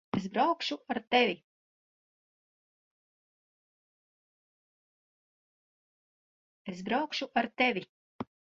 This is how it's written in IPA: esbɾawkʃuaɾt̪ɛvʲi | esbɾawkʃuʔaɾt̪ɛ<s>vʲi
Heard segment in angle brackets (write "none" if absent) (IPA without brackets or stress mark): none